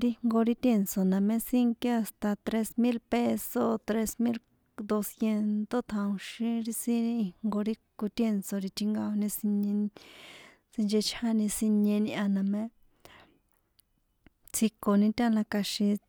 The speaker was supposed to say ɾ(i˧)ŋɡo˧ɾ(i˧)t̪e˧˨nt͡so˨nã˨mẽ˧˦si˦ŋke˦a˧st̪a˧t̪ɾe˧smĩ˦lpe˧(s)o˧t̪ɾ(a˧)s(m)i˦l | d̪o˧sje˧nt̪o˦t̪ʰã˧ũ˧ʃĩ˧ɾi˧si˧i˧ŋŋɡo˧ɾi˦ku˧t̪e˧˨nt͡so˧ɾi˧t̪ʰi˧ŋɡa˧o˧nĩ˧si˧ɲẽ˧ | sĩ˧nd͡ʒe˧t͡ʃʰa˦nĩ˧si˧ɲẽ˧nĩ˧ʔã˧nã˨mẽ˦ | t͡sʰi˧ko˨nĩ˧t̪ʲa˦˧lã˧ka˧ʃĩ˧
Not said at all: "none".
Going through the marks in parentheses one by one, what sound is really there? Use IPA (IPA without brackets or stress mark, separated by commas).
i˧, i˧, s, e˧, m